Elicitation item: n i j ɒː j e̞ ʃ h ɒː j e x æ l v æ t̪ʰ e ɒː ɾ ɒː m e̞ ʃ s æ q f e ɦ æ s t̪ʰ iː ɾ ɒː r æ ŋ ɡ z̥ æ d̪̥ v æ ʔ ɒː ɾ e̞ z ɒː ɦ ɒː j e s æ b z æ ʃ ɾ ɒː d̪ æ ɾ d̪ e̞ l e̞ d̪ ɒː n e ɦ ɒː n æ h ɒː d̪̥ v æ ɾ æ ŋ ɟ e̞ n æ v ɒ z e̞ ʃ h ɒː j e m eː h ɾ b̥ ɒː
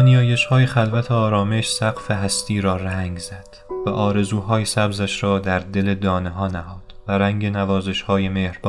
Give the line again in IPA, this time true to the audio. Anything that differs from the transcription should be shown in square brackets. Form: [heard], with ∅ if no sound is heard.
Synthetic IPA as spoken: n i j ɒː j e̞ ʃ h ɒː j e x æ l v æ t̪ʰ e ɒː ɾ ɒː m e̞ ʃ s æ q f e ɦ æ s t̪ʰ iː ɾ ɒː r æ ŋ ɡ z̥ æ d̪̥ v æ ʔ ɒː ɾ e̞ z [uː] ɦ ɒː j e s æ b z æ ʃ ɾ ɒː d̪ æ ɾ d̪ e̞ l e̞ d̪ ɒː n e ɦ ɒː n æ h ɒː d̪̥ v æ ɾ æ ŋ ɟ e̞ n æ v [ɒː] z e̞ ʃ h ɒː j e m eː h ɾ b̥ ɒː